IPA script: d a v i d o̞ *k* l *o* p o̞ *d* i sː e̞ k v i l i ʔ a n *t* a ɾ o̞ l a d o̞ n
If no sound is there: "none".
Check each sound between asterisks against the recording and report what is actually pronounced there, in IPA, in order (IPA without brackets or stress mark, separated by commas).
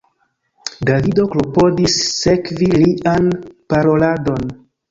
k, o, d, p